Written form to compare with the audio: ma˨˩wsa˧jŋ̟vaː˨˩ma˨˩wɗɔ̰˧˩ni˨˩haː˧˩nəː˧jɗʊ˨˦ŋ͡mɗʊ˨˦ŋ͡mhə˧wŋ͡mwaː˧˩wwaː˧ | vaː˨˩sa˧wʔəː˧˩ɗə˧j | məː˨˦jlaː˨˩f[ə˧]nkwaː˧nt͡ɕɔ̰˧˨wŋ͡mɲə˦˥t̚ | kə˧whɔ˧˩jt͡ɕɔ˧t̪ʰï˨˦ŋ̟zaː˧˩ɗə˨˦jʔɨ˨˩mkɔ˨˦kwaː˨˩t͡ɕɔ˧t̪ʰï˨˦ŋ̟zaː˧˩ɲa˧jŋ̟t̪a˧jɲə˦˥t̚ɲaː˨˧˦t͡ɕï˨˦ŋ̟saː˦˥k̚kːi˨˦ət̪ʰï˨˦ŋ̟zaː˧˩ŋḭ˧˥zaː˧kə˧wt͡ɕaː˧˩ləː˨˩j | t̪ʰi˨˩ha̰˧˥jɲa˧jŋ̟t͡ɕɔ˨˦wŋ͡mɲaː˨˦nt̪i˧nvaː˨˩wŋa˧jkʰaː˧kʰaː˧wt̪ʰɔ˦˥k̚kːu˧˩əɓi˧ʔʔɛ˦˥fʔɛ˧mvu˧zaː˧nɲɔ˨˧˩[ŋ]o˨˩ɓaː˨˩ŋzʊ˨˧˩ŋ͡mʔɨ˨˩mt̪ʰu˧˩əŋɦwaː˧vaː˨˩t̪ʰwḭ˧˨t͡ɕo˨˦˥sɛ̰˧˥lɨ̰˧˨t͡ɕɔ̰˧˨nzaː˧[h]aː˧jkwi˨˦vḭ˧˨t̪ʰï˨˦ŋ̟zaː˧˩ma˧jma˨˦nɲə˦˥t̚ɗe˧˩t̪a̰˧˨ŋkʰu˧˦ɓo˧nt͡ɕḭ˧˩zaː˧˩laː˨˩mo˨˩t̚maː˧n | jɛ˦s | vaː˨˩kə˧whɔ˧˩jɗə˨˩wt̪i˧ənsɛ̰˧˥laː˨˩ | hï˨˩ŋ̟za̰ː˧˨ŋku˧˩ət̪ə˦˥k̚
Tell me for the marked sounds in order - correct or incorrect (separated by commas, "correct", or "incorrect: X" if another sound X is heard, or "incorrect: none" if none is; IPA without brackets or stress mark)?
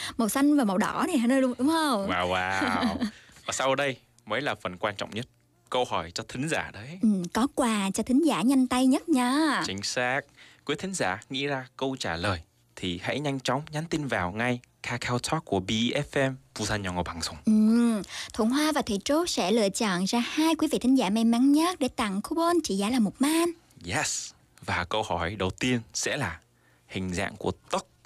incorrect: ə˨˩, correct, correct